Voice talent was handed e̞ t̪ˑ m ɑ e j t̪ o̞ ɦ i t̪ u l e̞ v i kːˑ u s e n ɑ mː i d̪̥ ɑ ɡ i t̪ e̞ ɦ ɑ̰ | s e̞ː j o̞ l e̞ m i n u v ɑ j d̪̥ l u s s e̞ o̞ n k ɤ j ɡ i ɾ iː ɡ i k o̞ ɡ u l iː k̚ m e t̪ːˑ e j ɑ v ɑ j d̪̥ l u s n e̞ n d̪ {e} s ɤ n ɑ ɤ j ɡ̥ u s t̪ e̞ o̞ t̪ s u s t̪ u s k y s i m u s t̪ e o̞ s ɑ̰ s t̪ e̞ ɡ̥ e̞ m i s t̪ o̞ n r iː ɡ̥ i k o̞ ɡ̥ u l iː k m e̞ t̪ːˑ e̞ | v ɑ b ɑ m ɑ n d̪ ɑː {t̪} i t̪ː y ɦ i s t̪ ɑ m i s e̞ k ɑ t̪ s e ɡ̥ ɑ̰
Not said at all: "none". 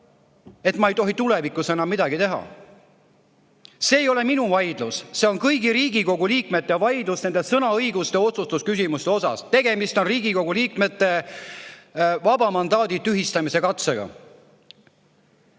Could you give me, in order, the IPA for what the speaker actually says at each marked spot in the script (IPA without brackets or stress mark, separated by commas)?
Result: e, d̪